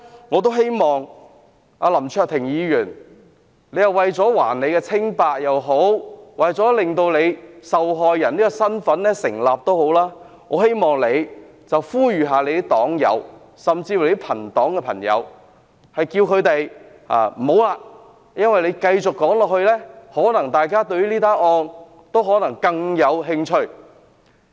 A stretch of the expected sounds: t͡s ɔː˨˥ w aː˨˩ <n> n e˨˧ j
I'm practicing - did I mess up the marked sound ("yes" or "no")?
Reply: no